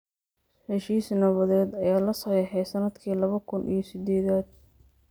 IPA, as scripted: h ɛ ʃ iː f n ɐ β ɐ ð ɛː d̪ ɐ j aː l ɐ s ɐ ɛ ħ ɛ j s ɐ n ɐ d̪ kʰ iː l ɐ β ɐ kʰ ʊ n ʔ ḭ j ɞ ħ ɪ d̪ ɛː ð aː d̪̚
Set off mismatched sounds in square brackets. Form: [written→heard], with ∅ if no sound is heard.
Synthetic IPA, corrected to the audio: h ɛ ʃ iː [f→s] n ɐ β ɐ ð ɛː d̪ ɐ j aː l ɐ s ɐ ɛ ħ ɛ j s ɐ n ɐ d̪ kʰ iː l ɐ β ɐ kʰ ʊ n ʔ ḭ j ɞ [ħ→s] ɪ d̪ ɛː ð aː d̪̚